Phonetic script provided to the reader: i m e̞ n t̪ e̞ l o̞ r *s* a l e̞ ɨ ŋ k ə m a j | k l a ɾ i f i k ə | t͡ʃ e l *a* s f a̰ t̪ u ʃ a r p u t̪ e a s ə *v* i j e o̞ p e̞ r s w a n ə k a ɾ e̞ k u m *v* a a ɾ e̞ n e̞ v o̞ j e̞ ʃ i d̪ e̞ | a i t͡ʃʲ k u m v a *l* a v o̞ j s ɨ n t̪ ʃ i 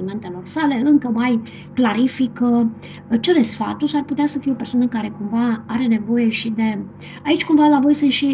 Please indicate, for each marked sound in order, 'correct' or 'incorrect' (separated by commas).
correct, incorrect, incorrect, correct, correct